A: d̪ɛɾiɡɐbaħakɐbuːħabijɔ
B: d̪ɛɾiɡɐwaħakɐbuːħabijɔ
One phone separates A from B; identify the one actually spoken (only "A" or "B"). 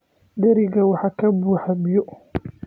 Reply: B